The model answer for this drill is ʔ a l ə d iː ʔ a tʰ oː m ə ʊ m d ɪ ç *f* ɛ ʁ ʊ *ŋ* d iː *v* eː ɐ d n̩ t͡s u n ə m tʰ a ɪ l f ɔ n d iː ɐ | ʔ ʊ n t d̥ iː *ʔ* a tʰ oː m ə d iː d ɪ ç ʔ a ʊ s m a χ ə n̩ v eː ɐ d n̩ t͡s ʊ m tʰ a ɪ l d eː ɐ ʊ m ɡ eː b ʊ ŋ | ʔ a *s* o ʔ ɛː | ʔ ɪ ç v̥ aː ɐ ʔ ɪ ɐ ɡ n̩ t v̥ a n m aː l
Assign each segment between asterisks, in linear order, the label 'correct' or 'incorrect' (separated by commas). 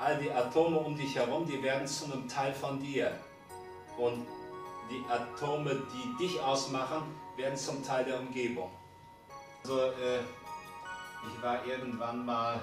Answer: incorrect, incorrect, correct, correct, incorrect